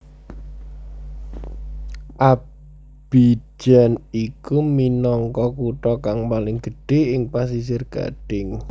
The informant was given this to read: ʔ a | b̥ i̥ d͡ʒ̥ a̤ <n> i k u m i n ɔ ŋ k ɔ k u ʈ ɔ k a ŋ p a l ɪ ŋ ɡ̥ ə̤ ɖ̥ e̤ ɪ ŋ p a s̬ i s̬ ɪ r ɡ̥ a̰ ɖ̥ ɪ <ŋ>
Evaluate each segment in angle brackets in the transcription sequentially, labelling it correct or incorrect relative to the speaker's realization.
correct, correct

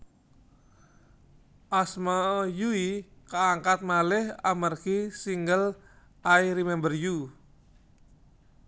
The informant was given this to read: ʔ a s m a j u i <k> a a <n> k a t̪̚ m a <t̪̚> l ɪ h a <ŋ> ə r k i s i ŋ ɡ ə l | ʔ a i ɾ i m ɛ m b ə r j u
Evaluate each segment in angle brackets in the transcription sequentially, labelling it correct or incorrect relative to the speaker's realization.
correct, incorrect: ŋ, incorrect: none, incorrect: m

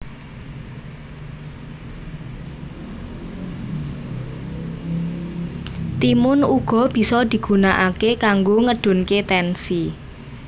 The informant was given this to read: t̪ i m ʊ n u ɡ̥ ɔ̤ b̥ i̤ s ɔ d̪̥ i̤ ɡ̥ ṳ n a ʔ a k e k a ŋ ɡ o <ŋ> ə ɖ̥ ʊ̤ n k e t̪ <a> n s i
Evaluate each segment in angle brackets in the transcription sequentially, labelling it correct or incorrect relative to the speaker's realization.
correct, incorrect: ɛ

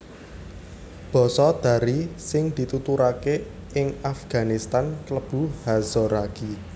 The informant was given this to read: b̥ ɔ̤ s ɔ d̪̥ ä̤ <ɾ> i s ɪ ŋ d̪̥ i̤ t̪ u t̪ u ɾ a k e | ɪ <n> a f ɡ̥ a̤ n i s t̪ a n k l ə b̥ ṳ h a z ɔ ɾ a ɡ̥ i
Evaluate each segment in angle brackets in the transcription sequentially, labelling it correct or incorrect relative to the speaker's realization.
correct, incorrect: ŋ

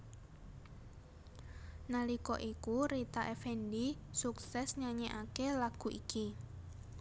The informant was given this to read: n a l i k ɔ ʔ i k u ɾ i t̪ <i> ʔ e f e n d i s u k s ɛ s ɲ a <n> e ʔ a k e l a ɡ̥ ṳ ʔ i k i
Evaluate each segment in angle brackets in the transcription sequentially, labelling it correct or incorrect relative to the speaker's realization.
incorrect: a, incorrect: ɲ

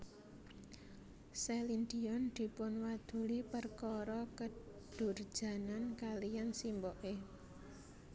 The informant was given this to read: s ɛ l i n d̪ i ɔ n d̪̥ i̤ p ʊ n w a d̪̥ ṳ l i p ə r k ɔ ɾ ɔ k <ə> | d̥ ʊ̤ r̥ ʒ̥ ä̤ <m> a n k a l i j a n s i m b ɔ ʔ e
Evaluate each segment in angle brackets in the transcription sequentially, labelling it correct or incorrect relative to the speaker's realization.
correct, incorrect: n

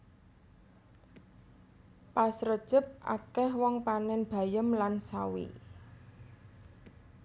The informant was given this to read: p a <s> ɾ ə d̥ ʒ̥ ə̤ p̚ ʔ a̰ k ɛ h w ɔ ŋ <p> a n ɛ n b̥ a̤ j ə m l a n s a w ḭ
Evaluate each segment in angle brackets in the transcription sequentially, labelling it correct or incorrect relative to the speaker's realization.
correct, correct

